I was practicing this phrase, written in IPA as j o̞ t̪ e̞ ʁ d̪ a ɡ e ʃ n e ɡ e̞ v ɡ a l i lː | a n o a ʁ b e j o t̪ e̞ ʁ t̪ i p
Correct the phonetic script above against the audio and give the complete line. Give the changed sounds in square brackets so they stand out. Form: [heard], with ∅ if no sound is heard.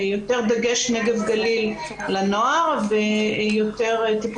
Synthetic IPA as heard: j o̞ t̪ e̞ ʁ d̪ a ɡ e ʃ n e ɡ e̞ v ɡ a l i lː | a n o a ʁ [v] e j o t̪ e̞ ʁ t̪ i p